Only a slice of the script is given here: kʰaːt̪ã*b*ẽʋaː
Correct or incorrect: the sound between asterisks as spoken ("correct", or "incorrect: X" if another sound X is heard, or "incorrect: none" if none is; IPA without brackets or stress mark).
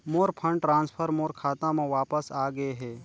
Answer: incorrect: m